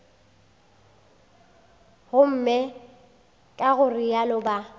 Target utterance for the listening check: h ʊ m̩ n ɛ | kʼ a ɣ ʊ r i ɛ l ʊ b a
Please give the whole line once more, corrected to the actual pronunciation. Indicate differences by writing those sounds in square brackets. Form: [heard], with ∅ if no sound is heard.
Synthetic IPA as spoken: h ʊ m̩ [m] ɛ | kʼ a ɣ ʊ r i [a] l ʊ b a